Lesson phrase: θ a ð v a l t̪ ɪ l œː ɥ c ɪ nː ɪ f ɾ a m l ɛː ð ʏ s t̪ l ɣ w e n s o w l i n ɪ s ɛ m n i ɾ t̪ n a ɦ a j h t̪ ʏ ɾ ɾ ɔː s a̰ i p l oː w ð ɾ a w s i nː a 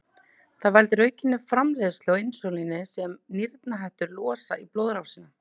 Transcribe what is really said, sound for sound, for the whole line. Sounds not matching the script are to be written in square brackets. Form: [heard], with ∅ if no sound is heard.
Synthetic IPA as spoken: θ a ð v a l t̪ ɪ [ɾ] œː ɥ c ɪ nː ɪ f ɾ a m l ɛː ð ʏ s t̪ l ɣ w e n s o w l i n ɪ s ɛ m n i ɾ t̪ n a ɦ a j h t̪ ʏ ɾ [l] ɔː s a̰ i p l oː w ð ɾ a w s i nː a